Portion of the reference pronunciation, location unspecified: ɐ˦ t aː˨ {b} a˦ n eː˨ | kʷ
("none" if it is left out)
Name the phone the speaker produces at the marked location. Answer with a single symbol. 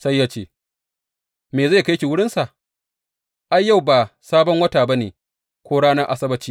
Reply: b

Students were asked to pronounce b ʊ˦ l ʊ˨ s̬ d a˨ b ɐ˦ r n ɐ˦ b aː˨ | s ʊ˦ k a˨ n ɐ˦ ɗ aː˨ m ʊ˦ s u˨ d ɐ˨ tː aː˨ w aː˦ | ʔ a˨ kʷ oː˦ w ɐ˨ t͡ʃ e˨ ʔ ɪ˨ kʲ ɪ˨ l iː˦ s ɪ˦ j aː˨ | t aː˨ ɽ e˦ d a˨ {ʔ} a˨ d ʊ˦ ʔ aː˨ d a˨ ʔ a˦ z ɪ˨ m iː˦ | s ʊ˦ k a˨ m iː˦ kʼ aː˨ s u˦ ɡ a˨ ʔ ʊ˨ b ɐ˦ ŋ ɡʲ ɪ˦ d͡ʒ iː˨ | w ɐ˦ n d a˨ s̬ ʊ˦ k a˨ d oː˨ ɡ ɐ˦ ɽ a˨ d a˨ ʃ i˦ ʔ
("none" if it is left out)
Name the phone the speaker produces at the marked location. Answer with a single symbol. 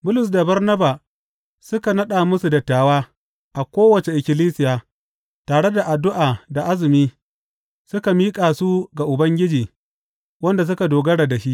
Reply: ʔ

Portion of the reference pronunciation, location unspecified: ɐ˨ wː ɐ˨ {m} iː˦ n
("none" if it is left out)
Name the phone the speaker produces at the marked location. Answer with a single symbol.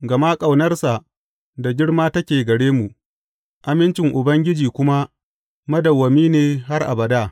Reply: m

